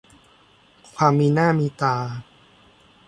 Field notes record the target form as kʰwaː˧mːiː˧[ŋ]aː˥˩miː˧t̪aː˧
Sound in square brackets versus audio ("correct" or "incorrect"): incorrect